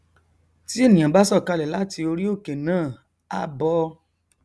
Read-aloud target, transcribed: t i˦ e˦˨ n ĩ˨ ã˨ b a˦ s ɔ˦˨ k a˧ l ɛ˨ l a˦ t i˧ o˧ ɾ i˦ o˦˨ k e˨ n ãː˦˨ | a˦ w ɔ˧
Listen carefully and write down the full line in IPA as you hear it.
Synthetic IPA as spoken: t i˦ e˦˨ n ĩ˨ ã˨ b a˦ s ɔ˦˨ k a˧ l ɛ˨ l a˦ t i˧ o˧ ɾ i˦ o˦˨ k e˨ n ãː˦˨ | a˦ b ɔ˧